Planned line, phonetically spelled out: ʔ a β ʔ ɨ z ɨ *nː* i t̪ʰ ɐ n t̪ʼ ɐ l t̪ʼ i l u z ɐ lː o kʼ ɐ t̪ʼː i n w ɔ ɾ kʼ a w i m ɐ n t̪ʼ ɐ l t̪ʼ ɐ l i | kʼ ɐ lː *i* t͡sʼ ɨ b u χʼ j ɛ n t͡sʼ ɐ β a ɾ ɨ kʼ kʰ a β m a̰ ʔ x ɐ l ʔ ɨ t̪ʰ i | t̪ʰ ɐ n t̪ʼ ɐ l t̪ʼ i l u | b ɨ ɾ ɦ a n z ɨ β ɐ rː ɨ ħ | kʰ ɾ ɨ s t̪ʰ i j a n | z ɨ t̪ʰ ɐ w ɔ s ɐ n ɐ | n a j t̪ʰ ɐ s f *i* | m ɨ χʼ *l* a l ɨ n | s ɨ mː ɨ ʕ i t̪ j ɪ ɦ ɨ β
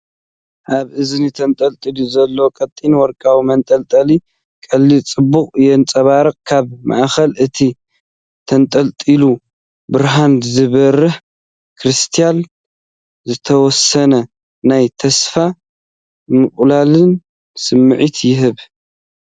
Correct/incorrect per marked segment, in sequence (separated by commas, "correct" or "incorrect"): incorrect, correct, incorrect, correct